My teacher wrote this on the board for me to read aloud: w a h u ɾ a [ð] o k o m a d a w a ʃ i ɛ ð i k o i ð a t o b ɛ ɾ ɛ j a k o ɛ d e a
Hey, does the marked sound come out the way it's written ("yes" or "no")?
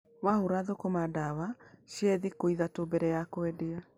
yes